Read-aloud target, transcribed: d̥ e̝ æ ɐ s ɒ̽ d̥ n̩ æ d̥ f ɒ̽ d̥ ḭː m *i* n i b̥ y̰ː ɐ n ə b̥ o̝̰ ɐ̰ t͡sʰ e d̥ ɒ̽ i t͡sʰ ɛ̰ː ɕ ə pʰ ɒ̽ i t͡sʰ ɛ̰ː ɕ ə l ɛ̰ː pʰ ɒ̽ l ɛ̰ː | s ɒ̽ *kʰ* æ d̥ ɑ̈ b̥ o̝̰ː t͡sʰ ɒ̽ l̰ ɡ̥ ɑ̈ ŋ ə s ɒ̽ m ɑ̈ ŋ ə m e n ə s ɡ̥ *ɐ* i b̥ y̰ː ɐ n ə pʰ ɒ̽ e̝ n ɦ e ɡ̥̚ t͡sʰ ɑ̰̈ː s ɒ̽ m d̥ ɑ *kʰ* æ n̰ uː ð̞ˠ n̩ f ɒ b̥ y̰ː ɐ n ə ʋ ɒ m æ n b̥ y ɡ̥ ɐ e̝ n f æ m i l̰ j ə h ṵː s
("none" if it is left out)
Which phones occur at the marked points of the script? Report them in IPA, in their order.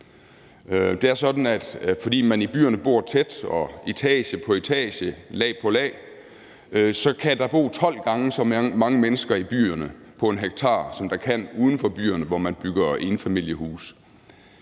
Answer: æ, kʰ, ɐ, kʰ

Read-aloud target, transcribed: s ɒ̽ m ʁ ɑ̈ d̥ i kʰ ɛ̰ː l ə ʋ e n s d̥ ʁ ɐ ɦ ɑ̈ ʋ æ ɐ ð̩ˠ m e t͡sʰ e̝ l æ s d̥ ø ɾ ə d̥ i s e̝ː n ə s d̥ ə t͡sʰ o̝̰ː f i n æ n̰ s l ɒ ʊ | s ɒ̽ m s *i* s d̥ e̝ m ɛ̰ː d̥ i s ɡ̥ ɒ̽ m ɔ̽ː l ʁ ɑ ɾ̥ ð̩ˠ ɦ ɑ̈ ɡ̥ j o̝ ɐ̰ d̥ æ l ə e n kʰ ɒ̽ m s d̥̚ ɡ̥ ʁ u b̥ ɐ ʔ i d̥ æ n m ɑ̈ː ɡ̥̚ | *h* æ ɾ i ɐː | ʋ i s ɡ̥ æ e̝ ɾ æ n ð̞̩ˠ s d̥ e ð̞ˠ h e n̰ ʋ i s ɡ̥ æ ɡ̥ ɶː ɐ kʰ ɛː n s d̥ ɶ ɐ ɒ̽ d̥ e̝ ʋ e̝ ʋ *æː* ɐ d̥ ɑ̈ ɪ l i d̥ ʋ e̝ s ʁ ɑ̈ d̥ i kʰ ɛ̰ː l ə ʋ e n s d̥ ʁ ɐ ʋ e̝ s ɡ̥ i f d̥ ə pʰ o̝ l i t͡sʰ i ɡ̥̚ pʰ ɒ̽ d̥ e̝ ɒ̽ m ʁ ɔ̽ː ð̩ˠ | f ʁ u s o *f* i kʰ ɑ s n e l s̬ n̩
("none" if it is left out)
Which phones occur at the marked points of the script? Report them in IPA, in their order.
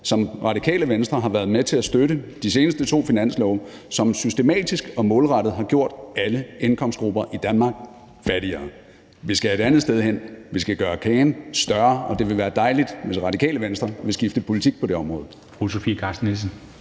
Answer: y, f, æː, f

